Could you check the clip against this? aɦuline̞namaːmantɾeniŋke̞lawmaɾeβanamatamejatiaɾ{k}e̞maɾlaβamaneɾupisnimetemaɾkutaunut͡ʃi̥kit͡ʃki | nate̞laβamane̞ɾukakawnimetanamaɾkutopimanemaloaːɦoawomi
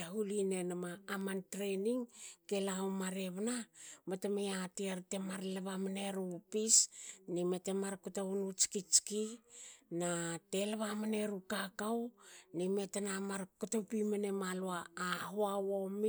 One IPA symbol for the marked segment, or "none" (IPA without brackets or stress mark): t